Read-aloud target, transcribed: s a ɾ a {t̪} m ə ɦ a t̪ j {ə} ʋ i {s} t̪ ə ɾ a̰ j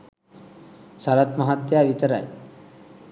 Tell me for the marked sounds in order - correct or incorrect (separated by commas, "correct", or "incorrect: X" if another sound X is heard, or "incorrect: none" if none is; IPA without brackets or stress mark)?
correct, incorrect: a, incorrect: none